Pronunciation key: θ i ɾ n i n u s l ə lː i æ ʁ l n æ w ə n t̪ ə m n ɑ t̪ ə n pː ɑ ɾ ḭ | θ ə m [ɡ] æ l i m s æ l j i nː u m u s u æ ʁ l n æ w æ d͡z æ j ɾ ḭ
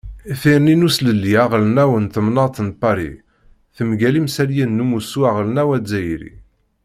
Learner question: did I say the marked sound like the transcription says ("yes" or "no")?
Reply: yes